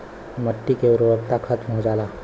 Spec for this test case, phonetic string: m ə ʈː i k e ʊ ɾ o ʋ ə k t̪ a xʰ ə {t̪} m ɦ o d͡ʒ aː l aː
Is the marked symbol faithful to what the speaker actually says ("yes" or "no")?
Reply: yes